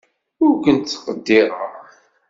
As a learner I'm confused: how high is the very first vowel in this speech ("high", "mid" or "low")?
high